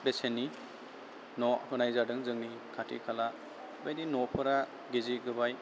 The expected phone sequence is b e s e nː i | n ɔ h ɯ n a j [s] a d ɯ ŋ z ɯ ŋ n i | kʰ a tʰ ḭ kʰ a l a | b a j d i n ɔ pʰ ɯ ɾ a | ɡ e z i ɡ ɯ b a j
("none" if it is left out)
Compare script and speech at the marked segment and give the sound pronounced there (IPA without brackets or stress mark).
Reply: z